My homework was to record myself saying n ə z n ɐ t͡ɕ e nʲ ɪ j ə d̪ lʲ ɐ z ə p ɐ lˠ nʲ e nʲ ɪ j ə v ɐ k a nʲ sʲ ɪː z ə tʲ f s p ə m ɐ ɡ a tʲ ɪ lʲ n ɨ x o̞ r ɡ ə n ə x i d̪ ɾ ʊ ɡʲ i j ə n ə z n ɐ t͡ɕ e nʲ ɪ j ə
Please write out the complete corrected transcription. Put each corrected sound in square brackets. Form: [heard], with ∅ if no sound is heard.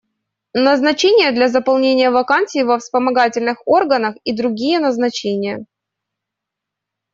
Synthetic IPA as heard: n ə z n ɐ t͡ɕ e nʲ ɪ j ə d̪ lʲ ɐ z ə p ɐ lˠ nʲ e nʲ ɪ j ə v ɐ k a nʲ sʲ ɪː [v] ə [∅] f s p ə m ɐ ɡ a tʲ ɪ lʲ n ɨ x o̞ r ɡ ə n ə x i d̪ ɾ ʊ ɡʲ i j ə n ə z n ɐ t͡ɕ e nʲ ɪ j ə

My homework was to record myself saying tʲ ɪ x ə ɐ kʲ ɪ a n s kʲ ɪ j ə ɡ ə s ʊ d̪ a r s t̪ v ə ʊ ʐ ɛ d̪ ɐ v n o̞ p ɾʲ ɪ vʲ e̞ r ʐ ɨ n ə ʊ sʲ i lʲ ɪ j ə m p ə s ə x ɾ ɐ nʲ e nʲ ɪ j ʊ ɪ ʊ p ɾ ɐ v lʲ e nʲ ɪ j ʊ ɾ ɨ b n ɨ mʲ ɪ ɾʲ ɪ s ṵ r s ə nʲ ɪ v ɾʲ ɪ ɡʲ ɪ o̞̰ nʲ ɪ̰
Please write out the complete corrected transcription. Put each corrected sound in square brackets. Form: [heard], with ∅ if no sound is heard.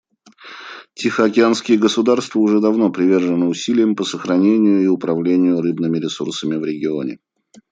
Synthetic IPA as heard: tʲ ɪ x ə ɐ kʲ ɪ a n s kʲ ɪ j ə ɡ ə s ʊ d̪ a r s t̪ v ə ʊ ʐ ɛ d̪ ɐ v n o̞ p ɾʲ ɪ vʲ e̞ r ʐ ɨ n ə ʊ sʲ i lʲ ɪ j ə m p ə s ə x ɾ ɐ nʲ e nʲ ɪ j ʊ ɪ ʊ p ɾ ɐ v lʲ e nʲ ɪ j ʊ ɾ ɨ b n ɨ mʲ ɪ ɾʲ ɪ s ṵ r s ə [mʲ] ɪ v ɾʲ ɪ ɡʲ ɪ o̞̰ nʲ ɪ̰

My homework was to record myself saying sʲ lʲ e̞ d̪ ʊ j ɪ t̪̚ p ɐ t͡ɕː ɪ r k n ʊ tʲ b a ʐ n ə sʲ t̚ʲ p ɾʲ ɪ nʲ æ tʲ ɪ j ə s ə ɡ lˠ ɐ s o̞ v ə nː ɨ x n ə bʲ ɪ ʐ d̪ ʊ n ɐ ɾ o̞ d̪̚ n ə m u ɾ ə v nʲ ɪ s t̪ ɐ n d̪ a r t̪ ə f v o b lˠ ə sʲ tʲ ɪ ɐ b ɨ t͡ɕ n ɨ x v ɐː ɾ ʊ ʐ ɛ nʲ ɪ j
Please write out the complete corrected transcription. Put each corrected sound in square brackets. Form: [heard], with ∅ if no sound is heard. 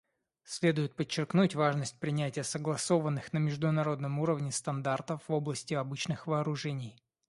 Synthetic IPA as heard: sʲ lʲ e̞ d̪ ʊ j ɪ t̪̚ p [ə] t͡ɕː ɪ r k n [u] tʲ [v] a ʐ n ə sʲ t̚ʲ p ɾʲ ɪ nʲ æ tʲ ɪ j ə s ə ɡ lˠ ɐ s o̞ v ə nː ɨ x n ə [mʲ] ɪ ʐ d̪ ʊ n ɐ ɾ o̞ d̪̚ n ə m u ɾ ə v nʲ ɪ s t̪ ɐ n d̪ a r t̪ ə f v o b lˠ ə sʲ tʲ ɪ ɐ b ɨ t͡ɕ n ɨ x v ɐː ɾ ʊ ʐ ɛ nʲ ɪ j

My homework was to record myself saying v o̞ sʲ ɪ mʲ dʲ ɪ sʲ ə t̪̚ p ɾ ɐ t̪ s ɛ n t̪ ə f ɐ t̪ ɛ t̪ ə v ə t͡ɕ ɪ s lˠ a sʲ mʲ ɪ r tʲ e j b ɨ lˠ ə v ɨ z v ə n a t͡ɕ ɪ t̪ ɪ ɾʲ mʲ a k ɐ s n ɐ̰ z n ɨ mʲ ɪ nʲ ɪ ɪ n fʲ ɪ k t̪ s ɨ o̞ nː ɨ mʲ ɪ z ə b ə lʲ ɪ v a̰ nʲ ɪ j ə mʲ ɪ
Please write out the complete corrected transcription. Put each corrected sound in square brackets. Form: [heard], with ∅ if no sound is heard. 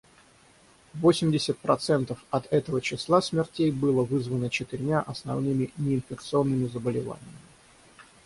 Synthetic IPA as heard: v o̞ sʲ ɪ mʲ dʲ ɪ sʲ ə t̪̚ p ɾ ɐ t̪ s ɛ n t̪ ə f ɐ t̪ ɛ t̪ ə v ə t͡ɕ ɪ s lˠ a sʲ mʲ ɪ r tʲ e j b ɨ lˠ ə v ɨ z v ə n [ə] t͡ɕ ɪ t̪ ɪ ɾʲ mʲ a [ʔ] ɐ s n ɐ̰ [v] n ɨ mʲ ɪ nʲ ɪ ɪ n fʲ ɪ k t̪ s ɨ o̞ nː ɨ mʲ ɪ z ə b ə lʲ ɪ v a̰ nʲ ɪ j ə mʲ ɪ

